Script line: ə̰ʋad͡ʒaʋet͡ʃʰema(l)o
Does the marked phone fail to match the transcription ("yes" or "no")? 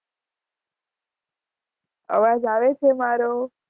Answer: yes